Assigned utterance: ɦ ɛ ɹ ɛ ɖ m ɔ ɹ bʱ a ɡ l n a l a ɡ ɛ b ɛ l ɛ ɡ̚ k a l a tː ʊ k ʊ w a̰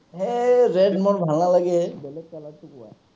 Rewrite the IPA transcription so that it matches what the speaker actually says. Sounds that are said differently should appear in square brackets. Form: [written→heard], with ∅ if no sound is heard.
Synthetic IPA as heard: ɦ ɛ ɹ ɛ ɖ m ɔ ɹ bʱ a [ɡ→∅] l n a l a ɡ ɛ b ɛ l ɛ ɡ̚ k a l a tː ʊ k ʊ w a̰

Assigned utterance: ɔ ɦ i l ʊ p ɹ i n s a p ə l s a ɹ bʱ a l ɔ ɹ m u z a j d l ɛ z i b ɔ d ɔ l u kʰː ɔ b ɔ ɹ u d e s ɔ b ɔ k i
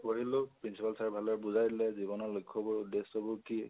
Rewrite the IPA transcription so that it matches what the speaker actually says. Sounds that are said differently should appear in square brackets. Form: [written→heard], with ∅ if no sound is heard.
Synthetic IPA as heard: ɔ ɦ i l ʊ p ɹ i n s [a→i] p [ə→a] l s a ɹ bʱ a l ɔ ɹ [m→b] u z a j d l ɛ z i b ɔ [d→n] ɔ l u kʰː ɔ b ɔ ɹ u d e s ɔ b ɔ k i

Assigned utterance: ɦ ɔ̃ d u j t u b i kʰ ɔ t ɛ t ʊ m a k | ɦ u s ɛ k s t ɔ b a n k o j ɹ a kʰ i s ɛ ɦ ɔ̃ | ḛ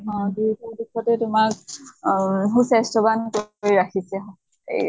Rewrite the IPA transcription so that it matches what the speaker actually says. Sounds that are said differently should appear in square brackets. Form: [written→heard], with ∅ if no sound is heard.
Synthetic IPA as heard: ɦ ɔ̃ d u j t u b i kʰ ɔ t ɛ t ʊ m a k | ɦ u s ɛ [k→∅] s t ɔ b a n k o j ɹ a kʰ i s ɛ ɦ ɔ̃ | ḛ

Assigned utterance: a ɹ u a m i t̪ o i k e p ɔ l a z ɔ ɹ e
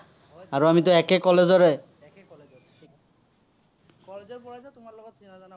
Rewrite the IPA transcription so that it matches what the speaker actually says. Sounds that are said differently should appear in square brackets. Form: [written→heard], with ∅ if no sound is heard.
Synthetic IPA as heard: a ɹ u a m i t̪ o [i→ɛ] k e [p→k] ɔ l [a→e] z ɔ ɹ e

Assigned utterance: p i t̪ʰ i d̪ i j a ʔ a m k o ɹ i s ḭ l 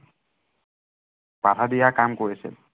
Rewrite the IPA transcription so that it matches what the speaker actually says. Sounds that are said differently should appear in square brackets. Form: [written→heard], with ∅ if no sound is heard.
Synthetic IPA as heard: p [i→a] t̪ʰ [i→a] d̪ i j a [ʔ→k] a m k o ɹ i s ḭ l

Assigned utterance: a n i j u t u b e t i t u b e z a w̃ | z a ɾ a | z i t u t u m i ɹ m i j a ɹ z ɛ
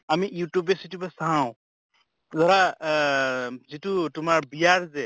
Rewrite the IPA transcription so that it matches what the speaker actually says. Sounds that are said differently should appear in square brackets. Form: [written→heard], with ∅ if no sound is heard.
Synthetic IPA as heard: a [n→m] i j u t u b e [t→s] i t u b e [z→s] a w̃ | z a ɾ a | z i t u t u m [i→a] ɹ [m→b] i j a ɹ z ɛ

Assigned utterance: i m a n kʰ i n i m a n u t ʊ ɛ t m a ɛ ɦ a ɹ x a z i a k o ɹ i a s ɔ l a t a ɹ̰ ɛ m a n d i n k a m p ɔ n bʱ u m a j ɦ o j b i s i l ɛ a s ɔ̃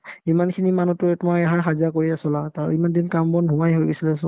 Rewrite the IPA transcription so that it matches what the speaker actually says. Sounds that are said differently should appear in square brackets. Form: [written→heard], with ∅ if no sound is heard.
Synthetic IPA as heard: i m a n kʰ i n i m a n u t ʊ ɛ t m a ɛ ɦ a ɹ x a z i a k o ɹ i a s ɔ l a t a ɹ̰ [ɛ→i] m a n d i n k a m [p→b] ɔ n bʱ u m a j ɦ o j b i s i l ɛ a s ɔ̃

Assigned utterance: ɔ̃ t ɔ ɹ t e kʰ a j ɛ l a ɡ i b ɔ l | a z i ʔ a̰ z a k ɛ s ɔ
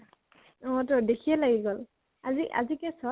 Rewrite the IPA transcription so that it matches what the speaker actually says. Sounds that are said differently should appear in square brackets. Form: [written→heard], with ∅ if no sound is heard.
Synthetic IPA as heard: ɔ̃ t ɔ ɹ [t→d] e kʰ [a→i] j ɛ l a ɡ i [b→ɡ] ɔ l | a z i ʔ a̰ z [a→i] k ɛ s ɔ

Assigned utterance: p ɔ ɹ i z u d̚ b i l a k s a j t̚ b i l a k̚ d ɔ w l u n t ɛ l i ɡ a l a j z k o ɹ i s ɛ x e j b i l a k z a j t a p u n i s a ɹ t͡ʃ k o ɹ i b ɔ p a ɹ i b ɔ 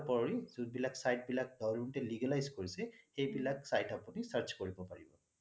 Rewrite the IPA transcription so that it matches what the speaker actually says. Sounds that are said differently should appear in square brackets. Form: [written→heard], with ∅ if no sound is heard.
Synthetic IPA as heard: p ɔ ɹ i z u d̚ b i l a k s a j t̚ b i l a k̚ d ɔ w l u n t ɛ l i ɡ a l a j z k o ɹ i s ɛ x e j b i l a k [z→s] a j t a p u n i s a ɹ t͡ʃ k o ɹ i b ɔ p a ɹ i b ɔ

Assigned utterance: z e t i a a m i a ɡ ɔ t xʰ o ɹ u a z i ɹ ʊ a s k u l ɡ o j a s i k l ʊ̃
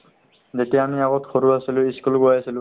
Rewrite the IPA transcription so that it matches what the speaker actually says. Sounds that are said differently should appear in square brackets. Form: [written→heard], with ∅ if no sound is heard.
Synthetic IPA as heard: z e t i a a m i a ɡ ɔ t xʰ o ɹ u a [z→s] i [ɹ→l] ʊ [a→i] s k u l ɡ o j a s i [k→∅] l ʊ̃

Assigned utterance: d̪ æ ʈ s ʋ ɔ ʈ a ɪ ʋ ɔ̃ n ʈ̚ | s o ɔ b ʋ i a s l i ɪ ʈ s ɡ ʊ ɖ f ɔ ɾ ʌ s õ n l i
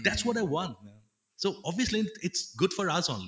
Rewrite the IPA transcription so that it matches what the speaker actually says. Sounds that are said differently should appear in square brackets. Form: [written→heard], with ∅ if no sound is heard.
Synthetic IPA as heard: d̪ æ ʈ s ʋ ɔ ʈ a ɪ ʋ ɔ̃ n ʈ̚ | s o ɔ b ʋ i [a→ə] s l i ɪ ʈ s ɡ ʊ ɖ f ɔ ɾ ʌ s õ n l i

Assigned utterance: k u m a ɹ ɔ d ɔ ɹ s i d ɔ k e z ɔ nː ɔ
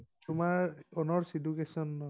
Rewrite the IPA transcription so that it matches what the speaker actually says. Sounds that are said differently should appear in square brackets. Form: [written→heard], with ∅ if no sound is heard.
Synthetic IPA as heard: [k→t] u m a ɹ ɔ [d→n] ɔ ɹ s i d [ɔ→u] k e [z→s] ɔ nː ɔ

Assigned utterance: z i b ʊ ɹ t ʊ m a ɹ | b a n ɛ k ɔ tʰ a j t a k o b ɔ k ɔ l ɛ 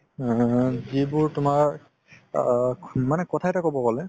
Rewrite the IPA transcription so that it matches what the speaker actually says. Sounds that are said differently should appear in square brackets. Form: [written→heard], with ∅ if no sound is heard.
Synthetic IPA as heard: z i b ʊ ɹ t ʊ m a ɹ | [b→m] a n ɛ k ɔ tʰ a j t a k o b ɔ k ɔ l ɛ

